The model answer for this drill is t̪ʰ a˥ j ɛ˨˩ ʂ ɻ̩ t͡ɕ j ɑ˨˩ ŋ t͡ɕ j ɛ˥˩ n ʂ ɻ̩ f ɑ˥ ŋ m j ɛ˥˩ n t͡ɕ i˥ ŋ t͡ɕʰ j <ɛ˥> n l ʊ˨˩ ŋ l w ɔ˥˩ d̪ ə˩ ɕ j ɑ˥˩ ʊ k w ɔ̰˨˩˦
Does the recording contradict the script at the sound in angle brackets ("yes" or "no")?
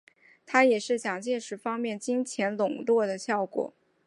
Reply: yes